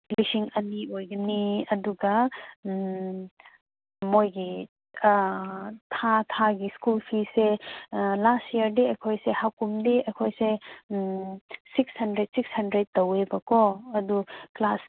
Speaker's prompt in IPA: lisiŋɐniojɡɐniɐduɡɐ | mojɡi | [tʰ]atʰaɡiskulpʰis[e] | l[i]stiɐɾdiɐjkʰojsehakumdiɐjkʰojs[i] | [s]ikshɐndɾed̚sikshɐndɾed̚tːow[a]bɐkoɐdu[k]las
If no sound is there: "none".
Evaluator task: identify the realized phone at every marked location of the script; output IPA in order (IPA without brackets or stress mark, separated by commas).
tʰ, e, a, e, s, e, k